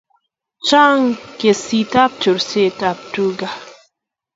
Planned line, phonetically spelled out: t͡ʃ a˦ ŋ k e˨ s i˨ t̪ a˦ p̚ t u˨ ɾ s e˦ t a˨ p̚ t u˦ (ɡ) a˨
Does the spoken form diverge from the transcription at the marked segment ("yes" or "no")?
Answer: no